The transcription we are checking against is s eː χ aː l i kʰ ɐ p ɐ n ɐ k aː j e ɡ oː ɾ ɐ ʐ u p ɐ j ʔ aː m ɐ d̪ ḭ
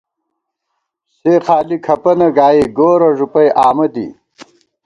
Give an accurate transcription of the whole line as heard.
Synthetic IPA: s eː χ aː l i kʰ ɐ p ɐ n ɐ ɡ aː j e ɡ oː ɾ ɐ ʐ u p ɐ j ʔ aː m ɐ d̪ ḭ